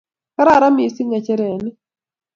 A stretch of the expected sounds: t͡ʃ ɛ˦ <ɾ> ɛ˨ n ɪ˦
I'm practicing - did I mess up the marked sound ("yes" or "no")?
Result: no